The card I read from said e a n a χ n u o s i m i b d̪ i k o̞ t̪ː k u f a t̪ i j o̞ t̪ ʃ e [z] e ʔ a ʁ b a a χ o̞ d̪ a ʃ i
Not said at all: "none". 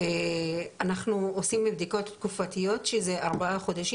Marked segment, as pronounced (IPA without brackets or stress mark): z